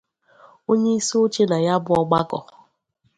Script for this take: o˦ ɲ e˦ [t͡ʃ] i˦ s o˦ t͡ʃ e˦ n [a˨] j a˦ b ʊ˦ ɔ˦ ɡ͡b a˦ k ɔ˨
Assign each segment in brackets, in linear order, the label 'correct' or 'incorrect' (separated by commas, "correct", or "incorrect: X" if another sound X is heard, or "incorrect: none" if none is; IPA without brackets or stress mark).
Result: incorrect: none, correct